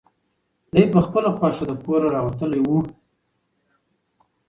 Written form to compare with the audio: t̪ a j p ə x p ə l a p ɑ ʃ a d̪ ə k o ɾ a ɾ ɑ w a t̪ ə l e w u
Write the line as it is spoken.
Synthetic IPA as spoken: d̪ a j p ə x p ə l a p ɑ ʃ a d̪ ə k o ɾ a ɾ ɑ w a t̪ ə l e w u